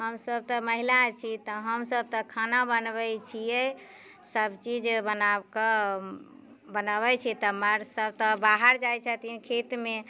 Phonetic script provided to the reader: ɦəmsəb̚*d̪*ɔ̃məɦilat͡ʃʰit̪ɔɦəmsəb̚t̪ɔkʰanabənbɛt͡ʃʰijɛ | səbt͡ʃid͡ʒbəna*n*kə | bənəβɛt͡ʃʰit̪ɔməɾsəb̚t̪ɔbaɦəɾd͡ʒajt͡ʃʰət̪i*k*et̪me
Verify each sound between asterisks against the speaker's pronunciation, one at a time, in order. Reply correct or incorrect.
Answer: incorrect: t̪, incorrect: none, incorrect: kʰ

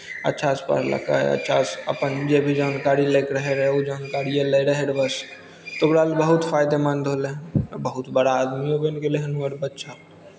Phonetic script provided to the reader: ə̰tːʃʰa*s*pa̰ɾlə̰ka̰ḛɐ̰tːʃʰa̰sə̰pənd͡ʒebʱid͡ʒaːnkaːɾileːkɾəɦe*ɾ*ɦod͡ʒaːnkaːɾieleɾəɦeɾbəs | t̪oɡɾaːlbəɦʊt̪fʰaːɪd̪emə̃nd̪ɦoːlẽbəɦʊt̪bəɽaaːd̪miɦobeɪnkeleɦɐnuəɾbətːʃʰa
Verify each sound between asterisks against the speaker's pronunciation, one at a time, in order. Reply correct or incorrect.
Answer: correct, correct

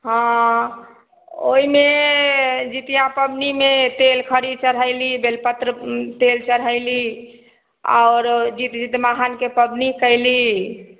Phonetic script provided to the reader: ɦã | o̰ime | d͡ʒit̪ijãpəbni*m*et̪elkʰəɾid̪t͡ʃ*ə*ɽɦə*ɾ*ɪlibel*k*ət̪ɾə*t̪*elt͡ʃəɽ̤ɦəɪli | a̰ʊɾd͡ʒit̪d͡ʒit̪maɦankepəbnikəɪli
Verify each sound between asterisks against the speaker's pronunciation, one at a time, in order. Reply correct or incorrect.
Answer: correct, correct, incorrect: none, incorrect: p, correct

